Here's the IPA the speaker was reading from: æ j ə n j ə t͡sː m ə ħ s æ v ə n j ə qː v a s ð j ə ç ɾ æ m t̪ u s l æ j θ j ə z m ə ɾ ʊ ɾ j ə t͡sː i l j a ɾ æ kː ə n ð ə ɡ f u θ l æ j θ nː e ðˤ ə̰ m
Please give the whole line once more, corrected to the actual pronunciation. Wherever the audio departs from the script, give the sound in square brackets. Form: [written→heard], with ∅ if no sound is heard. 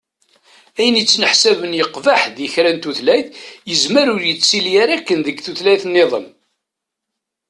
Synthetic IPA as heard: æ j ə n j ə t͡sː [m→n] ə ħ s æ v ə n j ə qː v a [s→ħ] ð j ə ç ɾ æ [m→n] t̪ u [s→θ] l æ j θ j ə z m ə ɾ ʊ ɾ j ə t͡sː i l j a ɾ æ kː ə n ð ə ɡ [f→θ] u θ l æ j θ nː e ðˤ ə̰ m